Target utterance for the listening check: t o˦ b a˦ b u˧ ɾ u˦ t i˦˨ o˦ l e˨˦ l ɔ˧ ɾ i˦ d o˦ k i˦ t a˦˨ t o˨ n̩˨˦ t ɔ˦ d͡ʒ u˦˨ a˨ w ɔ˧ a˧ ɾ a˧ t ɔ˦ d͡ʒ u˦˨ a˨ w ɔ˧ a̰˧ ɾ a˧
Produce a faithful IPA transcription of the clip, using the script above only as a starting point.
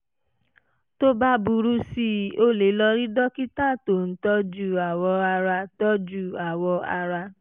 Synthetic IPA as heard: t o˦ b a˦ b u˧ ɾ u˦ s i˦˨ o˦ l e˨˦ l ɔ˧ ɾ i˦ d ɔ˦ k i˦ t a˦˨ t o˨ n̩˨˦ t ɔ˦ d͡ʒ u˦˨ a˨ w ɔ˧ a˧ ɾ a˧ t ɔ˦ d͡ʒ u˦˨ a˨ w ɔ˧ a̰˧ ɾ a˧